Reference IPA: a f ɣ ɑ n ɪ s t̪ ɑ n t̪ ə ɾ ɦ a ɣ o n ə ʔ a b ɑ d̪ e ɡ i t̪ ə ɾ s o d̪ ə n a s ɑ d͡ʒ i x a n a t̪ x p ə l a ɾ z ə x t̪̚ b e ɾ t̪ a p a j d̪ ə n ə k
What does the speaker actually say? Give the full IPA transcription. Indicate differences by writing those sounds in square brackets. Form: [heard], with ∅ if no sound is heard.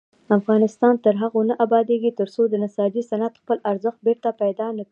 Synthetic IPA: a f ɣ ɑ n ɪ s t̪ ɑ n t̪ ə ɾ ɦ a ɣ o n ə ʔ a b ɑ d̪ e ɡ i t̪ ə ɾ s o d̪ ə n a s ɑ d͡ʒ i [s] a n a t̪ x p ə l a ɾ z ə x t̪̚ b e ɾ t̪ a p a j d̪ [ɑ] n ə k